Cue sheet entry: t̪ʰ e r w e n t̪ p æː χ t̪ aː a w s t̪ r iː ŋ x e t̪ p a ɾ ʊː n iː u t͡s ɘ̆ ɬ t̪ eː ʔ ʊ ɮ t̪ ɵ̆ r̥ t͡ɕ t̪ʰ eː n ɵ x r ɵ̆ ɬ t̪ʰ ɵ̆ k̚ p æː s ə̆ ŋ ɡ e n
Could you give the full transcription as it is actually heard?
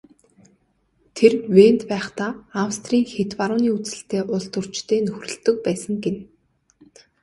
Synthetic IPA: t̪ʰ e r w e n t̪ p æː χ t̪ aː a w s t̪ r iː ŋ x e t̪ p a ɾ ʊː n iː u t͡s ɘ̆ ɬ t̪ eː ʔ ʊ ɮ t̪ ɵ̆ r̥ t͡ɕ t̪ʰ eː n ɵ x r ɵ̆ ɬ t̪ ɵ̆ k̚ p æː s ə̆ ŋ ɡ e n